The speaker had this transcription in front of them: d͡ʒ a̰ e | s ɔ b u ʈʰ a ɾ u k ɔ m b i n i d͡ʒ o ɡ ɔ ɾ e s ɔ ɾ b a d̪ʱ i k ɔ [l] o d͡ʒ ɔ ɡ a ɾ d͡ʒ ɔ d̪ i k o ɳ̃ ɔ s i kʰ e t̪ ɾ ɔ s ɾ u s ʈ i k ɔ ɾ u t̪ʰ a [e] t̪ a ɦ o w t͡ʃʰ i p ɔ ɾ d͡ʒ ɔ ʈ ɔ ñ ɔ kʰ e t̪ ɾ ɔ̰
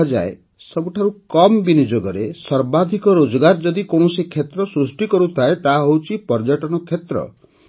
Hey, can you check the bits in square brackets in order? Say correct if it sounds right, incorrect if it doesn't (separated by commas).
incorrect, correct